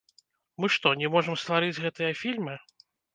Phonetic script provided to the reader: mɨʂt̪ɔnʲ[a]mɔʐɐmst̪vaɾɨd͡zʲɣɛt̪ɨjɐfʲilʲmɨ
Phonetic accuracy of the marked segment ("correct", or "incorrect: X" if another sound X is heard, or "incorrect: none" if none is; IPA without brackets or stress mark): incorrect: ɛ